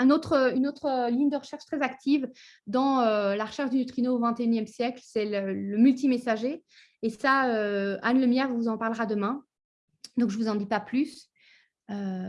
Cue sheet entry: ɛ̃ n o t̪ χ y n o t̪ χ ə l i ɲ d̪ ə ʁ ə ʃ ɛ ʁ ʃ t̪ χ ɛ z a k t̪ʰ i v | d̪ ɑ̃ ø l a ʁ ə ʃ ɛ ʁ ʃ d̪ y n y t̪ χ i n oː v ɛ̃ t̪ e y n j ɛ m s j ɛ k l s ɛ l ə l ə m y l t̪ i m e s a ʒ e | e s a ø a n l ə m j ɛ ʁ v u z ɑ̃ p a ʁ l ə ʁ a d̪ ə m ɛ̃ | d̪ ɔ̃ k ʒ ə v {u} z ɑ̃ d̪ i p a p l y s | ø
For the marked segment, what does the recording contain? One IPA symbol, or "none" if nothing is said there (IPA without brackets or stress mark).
u